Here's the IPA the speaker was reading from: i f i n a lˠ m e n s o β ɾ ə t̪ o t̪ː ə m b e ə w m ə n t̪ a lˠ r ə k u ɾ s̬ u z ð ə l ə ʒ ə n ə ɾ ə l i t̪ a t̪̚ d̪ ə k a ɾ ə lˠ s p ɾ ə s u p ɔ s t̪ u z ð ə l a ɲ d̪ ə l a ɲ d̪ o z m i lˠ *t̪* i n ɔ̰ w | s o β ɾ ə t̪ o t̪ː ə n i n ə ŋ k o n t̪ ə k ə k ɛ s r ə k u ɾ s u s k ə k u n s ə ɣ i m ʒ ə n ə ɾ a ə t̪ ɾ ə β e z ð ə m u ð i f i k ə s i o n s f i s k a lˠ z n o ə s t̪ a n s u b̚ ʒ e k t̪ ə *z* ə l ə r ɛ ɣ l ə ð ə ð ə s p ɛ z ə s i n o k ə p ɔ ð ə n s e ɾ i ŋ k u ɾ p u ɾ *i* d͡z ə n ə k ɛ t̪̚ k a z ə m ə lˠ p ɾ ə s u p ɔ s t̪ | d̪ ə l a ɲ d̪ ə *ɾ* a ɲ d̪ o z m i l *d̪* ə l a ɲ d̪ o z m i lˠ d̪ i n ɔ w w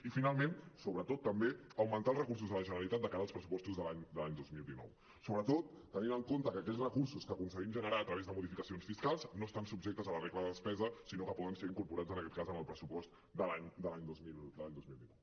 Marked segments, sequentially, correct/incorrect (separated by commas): incorrect, correct, incorrect, incorrect, correct